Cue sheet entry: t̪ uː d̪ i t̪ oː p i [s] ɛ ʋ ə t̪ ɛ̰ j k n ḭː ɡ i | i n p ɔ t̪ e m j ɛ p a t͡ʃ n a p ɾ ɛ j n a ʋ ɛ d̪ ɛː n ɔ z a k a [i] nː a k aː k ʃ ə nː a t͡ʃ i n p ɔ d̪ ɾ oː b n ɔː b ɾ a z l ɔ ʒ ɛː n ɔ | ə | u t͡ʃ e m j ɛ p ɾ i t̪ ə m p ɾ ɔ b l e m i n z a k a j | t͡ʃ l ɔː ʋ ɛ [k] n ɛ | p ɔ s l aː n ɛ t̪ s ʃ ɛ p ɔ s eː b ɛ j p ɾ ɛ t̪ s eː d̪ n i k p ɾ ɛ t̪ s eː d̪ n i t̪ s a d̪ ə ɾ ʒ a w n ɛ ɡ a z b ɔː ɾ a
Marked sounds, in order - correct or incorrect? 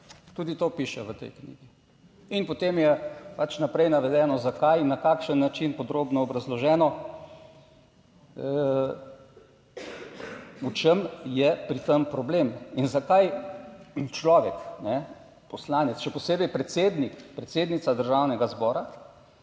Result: incorrect: ʃ, incorrect: j, correct

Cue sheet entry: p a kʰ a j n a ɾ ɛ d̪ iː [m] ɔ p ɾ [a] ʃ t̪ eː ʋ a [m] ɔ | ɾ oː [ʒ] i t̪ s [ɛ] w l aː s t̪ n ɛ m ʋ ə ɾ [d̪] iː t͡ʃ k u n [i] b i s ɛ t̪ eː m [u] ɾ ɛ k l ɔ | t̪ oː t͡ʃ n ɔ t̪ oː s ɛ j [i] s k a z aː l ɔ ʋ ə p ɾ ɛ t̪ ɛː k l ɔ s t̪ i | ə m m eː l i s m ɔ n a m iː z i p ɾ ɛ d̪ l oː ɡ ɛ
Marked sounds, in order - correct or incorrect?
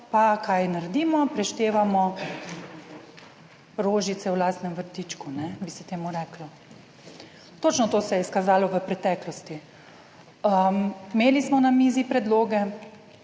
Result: correct, incorrect: ɛ, correct, correct, correct, incorrect: t̪, incorrect: ɛ, correct, incorrect: ɛ

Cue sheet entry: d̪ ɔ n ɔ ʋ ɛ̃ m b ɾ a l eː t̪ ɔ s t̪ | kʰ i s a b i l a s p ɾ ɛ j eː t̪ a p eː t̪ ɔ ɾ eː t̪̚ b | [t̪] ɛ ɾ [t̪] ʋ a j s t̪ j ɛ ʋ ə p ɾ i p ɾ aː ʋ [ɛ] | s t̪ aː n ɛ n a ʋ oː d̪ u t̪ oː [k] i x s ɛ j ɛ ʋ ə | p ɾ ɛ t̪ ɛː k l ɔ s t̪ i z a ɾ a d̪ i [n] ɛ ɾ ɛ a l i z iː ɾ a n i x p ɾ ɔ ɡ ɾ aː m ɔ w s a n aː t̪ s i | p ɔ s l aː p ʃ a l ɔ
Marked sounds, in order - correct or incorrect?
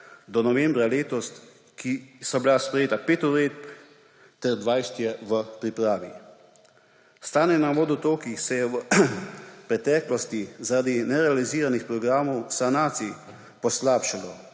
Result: correct, incorrect: d̪, incorrect: i, correct, correct

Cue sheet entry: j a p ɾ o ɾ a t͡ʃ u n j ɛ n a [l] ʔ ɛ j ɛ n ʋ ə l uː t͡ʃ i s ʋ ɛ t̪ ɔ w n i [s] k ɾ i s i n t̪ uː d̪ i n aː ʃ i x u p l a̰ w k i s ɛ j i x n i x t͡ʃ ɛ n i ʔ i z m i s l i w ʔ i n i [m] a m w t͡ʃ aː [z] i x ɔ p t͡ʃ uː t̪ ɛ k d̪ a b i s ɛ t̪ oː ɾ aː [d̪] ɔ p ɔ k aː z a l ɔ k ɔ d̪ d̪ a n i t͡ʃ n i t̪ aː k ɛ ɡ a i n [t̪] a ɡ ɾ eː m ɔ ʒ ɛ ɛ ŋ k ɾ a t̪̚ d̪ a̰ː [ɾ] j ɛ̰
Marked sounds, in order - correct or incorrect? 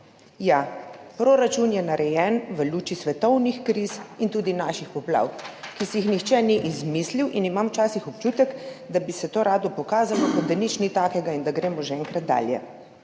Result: incorrect: ɾ, incorrect: x, correct, incorrect: s, correct, incorrect: d̪, incorrect: l

